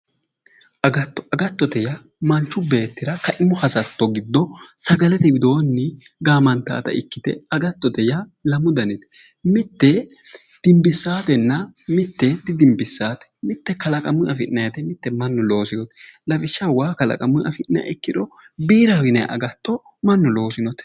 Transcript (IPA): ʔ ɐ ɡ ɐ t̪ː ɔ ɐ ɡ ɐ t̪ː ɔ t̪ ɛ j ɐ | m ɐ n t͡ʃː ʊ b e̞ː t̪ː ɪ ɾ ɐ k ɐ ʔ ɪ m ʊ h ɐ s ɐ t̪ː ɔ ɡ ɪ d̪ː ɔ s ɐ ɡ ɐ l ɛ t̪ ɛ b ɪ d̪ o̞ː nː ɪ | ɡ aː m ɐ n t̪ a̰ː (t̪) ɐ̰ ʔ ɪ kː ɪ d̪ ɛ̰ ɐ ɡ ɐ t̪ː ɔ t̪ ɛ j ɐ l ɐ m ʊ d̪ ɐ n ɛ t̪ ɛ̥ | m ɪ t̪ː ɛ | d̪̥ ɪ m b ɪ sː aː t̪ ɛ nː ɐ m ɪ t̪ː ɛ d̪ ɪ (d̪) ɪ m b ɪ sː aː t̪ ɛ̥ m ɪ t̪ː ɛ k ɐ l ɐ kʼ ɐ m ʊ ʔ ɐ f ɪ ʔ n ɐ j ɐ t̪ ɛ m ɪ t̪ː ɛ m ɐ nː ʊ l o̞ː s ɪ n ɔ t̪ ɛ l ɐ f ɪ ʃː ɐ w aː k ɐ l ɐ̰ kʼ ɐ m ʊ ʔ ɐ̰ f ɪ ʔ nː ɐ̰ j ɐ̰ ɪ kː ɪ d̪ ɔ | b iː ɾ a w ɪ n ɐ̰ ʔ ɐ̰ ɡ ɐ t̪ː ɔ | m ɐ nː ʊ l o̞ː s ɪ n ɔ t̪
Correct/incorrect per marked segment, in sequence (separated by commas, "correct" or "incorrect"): correct, correct